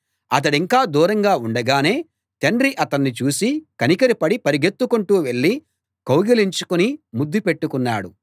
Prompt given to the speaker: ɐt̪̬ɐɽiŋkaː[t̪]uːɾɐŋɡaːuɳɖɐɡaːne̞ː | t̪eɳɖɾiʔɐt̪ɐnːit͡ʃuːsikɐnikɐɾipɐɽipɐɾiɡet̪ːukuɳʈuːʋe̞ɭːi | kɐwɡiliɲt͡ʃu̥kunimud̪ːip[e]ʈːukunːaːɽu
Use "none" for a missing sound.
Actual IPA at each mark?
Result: d̪, e

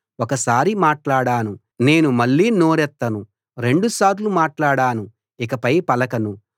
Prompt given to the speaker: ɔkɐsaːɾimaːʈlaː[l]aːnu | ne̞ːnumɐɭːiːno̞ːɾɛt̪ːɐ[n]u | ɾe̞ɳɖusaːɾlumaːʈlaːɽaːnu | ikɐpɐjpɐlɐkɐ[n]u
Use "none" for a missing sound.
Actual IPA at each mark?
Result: ɽ, n, n

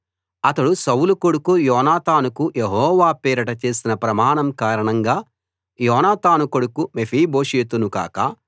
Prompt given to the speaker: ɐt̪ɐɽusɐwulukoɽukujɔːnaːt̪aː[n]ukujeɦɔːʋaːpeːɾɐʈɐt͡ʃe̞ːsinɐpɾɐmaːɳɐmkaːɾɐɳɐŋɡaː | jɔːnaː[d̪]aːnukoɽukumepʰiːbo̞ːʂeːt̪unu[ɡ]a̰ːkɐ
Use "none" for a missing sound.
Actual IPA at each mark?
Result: n, t̪, k

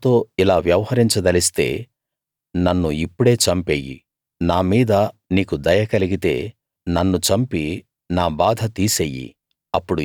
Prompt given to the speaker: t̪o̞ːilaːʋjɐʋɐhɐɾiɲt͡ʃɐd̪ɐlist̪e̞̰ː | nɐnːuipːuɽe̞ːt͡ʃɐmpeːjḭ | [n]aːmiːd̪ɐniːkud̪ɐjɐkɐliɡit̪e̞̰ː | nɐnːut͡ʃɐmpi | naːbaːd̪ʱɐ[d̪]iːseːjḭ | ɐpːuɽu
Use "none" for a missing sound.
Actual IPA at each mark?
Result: n, t̪

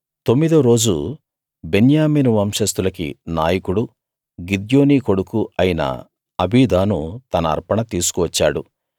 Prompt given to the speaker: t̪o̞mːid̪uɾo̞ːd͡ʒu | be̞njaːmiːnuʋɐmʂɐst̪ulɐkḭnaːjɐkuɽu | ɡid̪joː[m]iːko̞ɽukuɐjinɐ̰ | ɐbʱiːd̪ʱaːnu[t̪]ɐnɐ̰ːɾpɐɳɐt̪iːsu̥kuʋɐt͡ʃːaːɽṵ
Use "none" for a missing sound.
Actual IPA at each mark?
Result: n, t̪

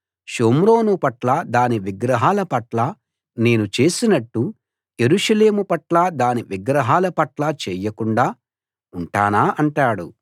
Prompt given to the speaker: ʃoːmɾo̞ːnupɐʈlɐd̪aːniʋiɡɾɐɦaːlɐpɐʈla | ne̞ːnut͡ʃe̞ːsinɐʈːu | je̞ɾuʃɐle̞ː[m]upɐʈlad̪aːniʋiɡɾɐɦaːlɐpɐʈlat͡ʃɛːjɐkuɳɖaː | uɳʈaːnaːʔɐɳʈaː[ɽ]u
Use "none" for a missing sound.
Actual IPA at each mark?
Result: m, ɽ

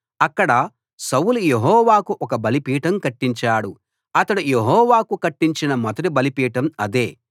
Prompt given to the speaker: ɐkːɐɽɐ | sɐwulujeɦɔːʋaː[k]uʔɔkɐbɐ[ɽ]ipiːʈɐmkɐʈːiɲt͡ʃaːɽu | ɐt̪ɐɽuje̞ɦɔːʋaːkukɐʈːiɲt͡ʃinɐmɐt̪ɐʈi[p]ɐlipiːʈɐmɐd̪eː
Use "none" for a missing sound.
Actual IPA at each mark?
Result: k, l, b

